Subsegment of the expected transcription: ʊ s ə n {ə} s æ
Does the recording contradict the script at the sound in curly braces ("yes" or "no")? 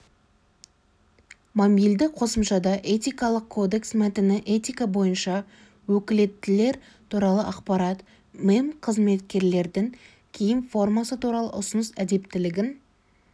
no